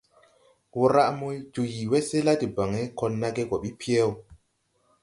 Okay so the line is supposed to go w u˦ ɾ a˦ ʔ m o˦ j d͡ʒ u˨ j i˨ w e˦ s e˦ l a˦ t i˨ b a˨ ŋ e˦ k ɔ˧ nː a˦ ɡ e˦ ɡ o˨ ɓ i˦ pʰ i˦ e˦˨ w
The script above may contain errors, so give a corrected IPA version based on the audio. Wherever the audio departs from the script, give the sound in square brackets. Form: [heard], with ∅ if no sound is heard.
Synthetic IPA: w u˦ ɾ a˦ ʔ m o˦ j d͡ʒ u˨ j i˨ w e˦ s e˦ l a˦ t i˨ b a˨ ŋ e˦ k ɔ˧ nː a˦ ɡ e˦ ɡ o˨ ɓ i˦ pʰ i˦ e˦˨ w